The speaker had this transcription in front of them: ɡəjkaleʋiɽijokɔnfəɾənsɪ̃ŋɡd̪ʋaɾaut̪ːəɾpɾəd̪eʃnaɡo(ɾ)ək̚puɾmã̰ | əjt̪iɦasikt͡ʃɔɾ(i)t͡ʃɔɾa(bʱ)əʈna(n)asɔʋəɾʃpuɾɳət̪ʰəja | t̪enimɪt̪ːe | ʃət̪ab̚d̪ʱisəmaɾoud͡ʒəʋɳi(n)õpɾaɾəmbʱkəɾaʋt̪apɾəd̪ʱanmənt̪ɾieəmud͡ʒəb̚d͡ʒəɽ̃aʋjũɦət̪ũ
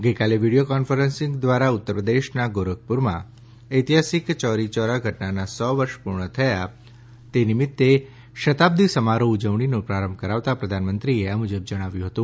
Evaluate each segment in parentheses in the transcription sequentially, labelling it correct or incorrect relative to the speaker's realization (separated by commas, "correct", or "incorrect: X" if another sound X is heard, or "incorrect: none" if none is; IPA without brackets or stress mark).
correct, correct, incorrect: ɡʱ, correct, correct